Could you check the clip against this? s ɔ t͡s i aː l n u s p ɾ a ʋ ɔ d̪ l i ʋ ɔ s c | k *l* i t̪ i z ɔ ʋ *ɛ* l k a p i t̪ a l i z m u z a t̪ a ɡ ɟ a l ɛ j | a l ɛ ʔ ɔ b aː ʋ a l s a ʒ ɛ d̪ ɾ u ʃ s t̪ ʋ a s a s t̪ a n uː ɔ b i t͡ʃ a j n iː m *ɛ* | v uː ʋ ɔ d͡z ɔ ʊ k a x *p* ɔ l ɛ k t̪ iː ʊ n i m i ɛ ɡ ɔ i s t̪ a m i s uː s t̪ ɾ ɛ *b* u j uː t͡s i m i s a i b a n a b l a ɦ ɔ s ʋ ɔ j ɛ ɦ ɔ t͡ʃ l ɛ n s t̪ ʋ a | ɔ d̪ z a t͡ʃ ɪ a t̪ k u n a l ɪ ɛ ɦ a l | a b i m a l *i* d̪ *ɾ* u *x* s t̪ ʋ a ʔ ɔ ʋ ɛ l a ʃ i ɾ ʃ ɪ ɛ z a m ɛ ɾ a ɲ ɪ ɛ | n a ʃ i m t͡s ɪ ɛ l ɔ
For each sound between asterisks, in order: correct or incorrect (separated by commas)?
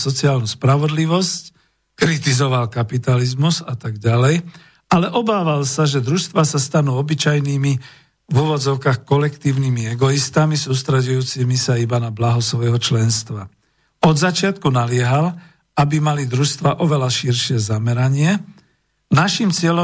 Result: incorrect, incorrect, incorrect, incorrect, incorrect, correct, correct, incorrect